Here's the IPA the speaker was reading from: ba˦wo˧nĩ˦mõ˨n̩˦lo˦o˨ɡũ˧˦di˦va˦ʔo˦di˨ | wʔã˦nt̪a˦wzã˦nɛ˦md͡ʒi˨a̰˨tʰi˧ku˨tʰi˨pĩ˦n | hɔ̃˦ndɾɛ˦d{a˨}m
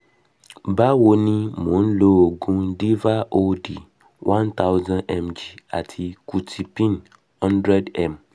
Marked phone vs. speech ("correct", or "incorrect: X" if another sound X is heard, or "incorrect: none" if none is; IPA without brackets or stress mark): incorrect: ɛ˨